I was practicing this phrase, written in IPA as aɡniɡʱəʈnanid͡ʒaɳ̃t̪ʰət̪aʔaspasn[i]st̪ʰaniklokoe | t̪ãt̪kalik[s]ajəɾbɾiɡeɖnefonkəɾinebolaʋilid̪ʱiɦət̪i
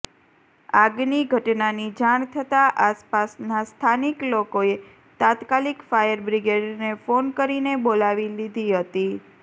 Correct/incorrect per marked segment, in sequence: incorrect: a, incorrect: f

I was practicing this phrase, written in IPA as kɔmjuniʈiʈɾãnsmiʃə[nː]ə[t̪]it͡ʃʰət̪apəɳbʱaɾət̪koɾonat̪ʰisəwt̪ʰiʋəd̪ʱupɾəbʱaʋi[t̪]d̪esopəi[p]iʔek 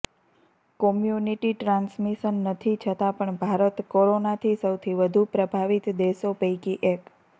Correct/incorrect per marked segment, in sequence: correct, incorrect: t̪ʰ, correct, incorrect: k

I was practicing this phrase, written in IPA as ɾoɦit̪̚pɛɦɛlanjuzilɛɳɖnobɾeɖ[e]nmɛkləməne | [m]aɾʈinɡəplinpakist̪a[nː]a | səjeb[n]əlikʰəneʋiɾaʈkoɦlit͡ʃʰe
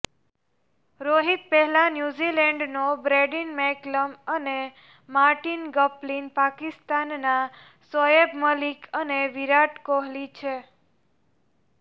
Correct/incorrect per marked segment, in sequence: incorrect: i, correct, correct, incorrect: m

